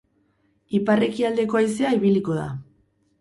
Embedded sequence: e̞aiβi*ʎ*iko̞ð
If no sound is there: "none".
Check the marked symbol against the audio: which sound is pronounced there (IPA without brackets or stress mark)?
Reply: l